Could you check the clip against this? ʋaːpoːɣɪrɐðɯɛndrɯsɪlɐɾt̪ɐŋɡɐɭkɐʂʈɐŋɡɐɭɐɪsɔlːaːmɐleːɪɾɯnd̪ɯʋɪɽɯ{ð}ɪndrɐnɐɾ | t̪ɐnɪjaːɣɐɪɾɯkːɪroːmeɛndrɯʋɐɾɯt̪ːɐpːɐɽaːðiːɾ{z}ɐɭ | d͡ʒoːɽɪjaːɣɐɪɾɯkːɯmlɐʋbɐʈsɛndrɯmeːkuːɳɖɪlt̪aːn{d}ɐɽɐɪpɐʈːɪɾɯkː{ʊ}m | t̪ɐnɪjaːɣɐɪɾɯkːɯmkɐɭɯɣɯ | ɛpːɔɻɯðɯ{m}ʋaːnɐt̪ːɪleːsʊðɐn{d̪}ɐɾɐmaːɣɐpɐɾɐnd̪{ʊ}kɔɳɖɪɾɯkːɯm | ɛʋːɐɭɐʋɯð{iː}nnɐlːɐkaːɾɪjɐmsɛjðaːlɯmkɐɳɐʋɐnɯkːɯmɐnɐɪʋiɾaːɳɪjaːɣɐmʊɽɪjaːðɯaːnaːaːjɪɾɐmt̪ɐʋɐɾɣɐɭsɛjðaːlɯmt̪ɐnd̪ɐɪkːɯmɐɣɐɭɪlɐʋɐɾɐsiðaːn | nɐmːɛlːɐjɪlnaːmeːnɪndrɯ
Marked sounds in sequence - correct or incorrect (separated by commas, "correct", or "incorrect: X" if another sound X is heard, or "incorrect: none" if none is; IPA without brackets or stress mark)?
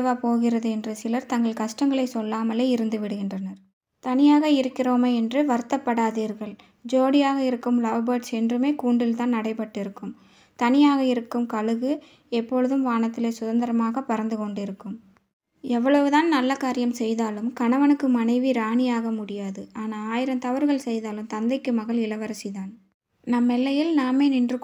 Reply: incorrect: ɣ, incorrect: ɣ, incorrect: n, incorrect: ɯ, correct, correct, incorrect: ɯ, incorrect: aː